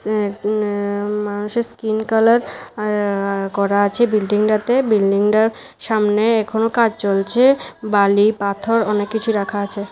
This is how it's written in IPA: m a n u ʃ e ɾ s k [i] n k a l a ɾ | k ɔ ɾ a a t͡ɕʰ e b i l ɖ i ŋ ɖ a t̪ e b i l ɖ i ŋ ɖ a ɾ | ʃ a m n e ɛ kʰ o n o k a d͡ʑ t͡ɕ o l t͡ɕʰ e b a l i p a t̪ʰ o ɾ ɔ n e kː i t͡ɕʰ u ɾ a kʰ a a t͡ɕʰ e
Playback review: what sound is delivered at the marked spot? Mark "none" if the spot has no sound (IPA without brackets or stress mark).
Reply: i